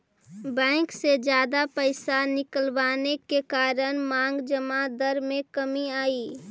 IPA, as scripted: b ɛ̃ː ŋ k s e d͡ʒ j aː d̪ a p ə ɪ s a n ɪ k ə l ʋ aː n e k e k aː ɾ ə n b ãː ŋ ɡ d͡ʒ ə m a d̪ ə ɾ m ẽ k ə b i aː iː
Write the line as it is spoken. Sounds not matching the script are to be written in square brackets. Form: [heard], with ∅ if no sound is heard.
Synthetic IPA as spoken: b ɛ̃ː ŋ k s e d͡ʒ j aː d̪ a p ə ɪ s a n ɪ k ə l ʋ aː n e k e k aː ɾ ə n [m] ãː ŋ ɡ d͡ʒ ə m a d̪ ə ɾ m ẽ k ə [m] i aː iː